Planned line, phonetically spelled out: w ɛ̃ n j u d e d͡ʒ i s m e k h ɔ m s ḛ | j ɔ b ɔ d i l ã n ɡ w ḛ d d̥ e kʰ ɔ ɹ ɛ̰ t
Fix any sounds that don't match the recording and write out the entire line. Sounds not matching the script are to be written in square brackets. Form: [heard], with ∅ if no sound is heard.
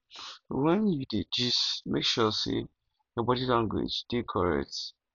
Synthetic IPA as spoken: w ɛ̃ n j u d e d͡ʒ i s m e k [ʃ] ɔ [∅] s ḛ | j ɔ b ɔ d i l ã [ŋ] ɡ w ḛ [d͡ʒ] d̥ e kʰ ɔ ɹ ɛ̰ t

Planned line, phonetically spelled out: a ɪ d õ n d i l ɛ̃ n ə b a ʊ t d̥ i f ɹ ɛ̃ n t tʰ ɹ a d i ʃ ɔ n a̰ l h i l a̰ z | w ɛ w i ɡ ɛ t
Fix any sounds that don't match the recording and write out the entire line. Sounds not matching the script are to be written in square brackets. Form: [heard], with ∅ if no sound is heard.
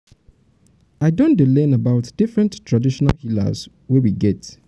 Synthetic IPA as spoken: a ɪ d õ n d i l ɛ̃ n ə b a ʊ t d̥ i f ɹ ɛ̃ n t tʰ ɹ a d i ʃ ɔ n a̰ l h i l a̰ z | w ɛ w i ɡ ɛ t

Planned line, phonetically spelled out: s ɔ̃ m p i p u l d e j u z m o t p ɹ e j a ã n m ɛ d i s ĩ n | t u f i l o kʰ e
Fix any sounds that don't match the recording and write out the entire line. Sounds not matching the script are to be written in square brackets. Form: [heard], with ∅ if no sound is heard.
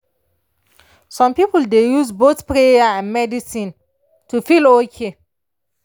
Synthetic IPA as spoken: s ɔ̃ m p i p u l d e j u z [b] o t p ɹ e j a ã n m ɛ d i s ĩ n | t u f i l o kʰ e

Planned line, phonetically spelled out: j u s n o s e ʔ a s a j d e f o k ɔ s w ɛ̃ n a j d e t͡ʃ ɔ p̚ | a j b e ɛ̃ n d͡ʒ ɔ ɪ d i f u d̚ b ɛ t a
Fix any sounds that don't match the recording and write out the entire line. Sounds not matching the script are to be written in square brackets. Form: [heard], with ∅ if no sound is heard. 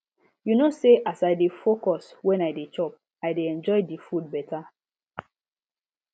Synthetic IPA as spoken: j u [∅] n o s e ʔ a s a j d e f o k ɔ s w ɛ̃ n a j d e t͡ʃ ɔ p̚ | a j [d] e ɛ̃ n d͡ʒ ɔ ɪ d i f u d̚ b ɛ t a

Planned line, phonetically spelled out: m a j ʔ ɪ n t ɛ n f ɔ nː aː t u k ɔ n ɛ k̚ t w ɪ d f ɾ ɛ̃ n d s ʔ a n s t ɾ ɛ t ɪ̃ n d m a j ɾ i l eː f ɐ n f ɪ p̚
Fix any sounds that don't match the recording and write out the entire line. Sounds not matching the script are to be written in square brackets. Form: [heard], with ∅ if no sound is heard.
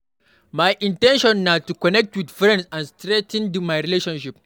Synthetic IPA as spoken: m a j ʔ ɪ n t ɛ n [ʃ] ɔ nː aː t u k ɔ n ɛ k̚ t w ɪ d f ɾ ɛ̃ n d s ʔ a n s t ɾ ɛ t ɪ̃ n d m a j ɾ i l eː [ʃ] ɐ n [ʃ] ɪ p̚

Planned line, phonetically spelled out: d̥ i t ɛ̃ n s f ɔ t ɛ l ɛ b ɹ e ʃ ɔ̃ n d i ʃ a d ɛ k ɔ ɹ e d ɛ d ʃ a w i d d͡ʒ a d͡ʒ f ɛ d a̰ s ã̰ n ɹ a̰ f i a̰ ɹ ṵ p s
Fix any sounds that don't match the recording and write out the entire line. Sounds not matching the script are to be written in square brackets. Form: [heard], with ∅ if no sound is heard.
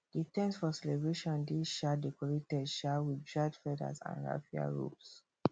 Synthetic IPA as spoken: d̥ i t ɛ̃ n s f ɔ [s] ɛ l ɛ b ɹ e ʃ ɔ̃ n d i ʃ a d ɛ k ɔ ɹ e [t] ɛ d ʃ a w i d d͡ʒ a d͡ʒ f ɛ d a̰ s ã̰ n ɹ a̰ f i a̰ ɹ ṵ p s

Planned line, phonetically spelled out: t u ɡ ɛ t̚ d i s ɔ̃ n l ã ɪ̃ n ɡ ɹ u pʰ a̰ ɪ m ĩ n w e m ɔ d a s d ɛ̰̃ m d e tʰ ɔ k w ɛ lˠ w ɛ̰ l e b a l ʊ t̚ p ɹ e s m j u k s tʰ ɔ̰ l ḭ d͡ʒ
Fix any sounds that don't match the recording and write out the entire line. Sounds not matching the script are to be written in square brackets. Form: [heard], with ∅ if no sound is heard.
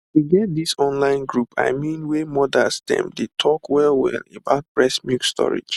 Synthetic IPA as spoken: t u ɡ ɛ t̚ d i s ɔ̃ n l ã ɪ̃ n ɡ ɹ u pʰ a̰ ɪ m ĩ n w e m ɔ d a s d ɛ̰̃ m d e tʰ ɔ k w ɛ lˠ w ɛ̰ l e b a [∅] ʊ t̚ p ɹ [ɛ] s m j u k s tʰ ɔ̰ [ɹ] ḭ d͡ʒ

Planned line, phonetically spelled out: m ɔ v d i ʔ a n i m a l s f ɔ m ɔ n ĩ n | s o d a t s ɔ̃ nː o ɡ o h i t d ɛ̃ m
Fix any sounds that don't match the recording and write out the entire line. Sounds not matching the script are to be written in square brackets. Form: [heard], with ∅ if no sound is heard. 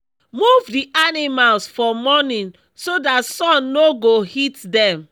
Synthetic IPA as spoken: m [u] v d i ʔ a n i m a l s f ɔ m ɔ n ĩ n | s o d a t s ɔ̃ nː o ɡ o h i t d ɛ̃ m

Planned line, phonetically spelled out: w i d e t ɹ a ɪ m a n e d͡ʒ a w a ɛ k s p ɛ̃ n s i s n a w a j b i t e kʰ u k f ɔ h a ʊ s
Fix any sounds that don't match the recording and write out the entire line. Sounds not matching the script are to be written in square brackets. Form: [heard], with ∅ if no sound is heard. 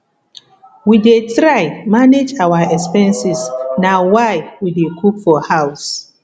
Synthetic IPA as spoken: w i d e t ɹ a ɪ m a n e d͡ʒ a w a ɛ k s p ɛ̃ n s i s n a w a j [w] i [d] e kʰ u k f ɔ h a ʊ s

